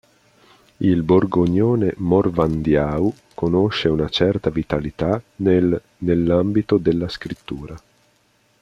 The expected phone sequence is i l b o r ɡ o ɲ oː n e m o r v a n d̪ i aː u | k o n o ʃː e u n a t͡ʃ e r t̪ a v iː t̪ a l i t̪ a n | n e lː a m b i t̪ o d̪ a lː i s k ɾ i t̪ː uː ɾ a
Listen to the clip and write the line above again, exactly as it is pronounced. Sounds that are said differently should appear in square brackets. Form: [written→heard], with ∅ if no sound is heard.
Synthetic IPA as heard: i l b o r ɡ o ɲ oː n e m o r v a n d̪ [i→j] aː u | k o n o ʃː e u n a t͡ʃ [e→ɛ] r t̪ a v [iː→i] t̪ a l i t̪ a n | n e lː a m b i t̪ o d̪ [a→e] lː [i→a] s k ɾ i t̪ː uː ɾ a